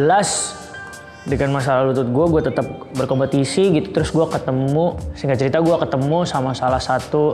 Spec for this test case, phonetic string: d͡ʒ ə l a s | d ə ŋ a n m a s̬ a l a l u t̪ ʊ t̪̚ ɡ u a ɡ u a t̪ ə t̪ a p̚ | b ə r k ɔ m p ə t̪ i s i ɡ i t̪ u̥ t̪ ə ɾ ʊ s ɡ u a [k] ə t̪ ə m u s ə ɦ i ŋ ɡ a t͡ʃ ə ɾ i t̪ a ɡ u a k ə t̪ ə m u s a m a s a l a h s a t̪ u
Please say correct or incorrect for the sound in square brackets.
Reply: correct